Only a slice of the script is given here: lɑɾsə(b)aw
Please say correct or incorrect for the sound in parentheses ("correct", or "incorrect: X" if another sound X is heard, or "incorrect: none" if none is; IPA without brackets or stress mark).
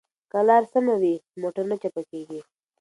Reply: incorrect: m